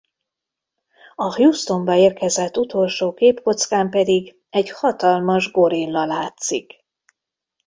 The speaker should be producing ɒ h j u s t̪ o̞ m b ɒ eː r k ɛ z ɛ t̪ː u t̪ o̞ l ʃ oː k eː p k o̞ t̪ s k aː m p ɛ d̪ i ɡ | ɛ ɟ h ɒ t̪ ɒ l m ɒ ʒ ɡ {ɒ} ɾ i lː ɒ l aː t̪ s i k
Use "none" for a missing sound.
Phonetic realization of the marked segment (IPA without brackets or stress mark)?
o